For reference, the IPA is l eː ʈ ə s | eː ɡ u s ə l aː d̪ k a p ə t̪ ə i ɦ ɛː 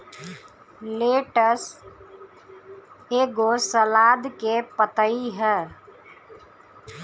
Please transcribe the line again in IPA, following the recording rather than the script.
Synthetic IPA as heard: l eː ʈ ə s | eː ɡ o s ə l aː d̪ k e p ə t̪ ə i ɦ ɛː